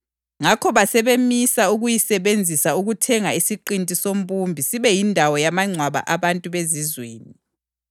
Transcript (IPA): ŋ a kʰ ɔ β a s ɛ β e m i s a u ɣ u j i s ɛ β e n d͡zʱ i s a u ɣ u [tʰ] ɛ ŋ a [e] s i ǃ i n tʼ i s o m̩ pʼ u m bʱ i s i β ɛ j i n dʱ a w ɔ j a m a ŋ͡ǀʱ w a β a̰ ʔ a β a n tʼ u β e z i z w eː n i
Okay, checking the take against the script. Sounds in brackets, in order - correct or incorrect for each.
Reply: correct, incorrect: i

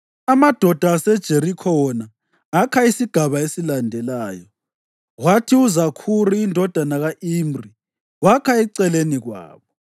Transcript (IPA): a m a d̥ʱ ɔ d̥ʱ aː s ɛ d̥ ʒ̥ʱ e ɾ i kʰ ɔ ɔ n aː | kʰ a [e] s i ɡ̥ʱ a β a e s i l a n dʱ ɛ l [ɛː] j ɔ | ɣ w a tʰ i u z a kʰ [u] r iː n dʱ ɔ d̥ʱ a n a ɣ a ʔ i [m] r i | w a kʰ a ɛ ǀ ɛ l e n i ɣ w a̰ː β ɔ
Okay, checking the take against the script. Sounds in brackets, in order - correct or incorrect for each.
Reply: incorrect: i, incorrect: aː, correct, correct

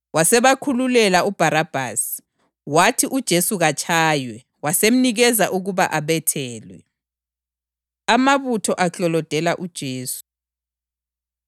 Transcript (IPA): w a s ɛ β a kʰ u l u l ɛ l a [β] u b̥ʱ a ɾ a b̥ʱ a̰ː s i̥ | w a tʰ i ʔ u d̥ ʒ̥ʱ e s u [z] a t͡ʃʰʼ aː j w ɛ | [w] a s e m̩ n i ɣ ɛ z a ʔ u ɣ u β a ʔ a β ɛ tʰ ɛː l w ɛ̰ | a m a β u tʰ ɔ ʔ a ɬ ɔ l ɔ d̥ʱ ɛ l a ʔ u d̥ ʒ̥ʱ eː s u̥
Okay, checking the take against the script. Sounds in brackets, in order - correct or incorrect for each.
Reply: incorrect: none, incorrect: ɣ, correct

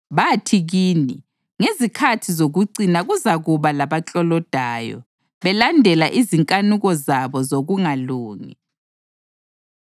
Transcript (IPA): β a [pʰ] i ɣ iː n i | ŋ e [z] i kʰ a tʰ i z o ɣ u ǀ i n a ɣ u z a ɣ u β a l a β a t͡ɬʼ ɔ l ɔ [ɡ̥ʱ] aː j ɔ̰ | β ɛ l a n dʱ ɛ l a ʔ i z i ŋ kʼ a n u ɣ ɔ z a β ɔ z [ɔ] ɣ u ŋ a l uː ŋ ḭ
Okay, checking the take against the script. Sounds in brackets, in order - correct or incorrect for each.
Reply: incorrect: tʰ, correct, incorrect: d̥ʱ, incorrect: o

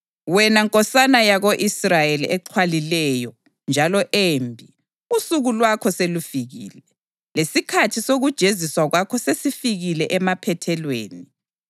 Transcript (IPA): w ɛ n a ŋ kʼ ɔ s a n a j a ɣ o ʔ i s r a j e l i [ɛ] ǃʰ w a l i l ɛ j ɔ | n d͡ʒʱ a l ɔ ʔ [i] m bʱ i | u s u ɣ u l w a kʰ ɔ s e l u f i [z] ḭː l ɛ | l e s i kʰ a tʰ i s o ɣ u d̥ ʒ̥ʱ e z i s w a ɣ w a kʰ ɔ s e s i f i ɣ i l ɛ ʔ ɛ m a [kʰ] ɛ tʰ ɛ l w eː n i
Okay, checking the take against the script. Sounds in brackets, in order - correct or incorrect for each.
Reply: correct, incorrect: e, incorrect: ɣ, incorrect: pʰ

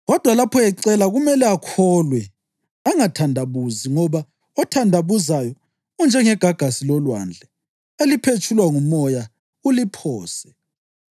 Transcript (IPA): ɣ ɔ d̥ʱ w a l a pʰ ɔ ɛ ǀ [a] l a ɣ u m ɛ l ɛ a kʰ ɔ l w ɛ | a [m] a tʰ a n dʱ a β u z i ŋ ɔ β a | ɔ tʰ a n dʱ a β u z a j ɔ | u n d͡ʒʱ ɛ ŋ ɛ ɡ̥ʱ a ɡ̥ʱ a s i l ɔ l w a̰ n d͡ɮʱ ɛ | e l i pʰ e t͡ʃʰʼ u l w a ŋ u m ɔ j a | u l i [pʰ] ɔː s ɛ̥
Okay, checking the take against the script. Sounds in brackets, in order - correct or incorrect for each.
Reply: incorrect: ɛ, incorrect: ŋ, correct

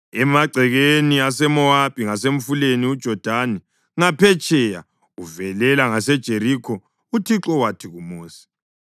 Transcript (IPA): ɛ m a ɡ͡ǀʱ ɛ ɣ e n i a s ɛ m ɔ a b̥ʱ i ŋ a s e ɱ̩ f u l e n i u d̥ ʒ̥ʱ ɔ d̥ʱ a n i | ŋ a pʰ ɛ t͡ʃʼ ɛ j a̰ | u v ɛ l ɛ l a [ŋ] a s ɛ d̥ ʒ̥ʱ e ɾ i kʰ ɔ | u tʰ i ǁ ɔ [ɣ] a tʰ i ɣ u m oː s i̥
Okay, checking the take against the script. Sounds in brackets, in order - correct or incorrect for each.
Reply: correct, incorrect: w

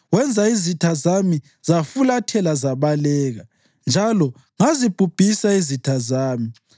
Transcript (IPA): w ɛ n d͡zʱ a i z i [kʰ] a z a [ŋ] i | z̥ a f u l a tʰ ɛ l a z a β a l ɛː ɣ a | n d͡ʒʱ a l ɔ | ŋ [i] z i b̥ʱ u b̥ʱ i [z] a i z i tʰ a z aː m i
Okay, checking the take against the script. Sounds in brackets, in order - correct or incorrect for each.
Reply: incorrect: tʰ, incorrect: m, incorrect: a, incorrect: s

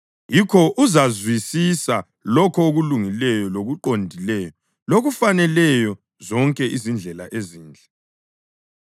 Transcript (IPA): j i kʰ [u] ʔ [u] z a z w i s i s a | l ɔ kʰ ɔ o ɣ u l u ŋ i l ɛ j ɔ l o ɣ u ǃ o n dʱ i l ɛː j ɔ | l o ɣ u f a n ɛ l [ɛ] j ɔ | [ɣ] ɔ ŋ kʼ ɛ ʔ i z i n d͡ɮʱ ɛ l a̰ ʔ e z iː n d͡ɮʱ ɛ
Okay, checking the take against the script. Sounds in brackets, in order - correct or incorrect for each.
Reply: incorrect: ɔ, correct, correct, incorrect: z

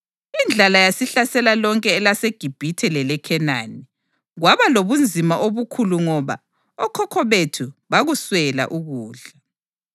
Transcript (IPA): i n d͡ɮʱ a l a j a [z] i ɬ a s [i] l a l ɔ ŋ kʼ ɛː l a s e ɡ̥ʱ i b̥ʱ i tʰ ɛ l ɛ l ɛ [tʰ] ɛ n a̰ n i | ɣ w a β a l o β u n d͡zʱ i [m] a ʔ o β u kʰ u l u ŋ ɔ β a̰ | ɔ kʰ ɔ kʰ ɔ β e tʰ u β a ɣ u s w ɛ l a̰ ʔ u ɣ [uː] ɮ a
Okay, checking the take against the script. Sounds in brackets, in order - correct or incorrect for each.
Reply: incorrect: s, incorrect: ɛ, incorrect: kʰ, correct, correct

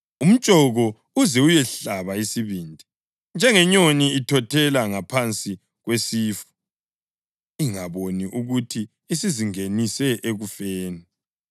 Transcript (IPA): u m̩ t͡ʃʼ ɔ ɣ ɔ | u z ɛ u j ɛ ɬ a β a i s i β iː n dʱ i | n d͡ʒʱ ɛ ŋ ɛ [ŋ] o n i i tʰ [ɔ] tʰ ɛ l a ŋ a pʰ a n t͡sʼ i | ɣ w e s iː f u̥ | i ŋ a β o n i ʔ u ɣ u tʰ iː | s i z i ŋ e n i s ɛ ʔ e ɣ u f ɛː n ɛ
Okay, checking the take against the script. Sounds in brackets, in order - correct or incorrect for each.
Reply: incorrect: ɲ, correct

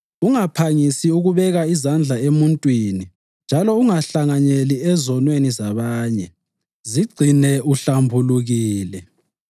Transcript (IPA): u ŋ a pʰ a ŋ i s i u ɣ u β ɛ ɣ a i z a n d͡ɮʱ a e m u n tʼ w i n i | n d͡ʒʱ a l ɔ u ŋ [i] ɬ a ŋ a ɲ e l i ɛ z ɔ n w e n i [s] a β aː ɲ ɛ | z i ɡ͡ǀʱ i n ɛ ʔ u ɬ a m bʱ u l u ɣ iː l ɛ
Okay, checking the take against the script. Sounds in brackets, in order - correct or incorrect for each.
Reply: incorrect: a, incorrect: z

